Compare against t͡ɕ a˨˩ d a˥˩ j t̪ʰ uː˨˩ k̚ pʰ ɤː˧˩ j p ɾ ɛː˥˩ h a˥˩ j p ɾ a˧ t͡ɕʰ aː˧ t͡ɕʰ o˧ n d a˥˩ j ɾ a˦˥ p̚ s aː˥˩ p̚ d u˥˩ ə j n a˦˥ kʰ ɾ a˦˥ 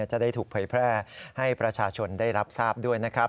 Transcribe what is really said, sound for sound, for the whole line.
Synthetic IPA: t͡ɕ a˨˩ d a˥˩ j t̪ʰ uː˨˩ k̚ pʰ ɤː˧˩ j pʰ ɾ ɛː˥˩ h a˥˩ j p ɾ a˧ t͡ɕʰ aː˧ t͡ɕʰ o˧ n d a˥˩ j ɾ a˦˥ p̚ s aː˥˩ p̚ d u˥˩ ə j n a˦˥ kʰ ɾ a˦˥